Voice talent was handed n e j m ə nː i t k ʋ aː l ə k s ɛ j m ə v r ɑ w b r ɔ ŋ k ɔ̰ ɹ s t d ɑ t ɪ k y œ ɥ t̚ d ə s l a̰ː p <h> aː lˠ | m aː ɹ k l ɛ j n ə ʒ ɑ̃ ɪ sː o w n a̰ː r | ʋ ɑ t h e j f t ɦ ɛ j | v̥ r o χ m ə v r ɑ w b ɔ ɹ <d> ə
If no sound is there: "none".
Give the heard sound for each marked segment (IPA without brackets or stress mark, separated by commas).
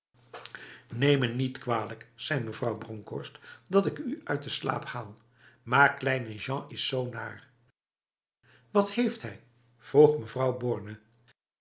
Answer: h, n